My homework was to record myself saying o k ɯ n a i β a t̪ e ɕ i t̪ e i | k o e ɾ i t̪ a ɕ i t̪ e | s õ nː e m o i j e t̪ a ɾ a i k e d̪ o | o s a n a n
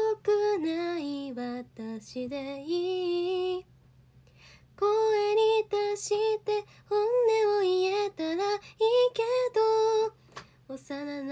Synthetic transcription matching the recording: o k ɯ n a i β a t̪ a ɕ i d̪ e i | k o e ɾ i t̪ a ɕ i t̪ e | h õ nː e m o i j e t̪ a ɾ a i k e d̪ o | o s a n a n